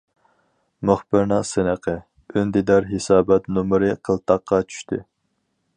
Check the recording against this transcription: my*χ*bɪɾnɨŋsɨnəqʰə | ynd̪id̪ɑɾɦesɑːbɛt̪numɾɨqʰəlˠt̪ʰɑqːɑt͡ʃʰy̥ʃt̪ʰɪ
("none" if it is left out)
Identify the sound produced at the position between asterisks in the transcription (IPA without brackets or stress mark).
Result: χ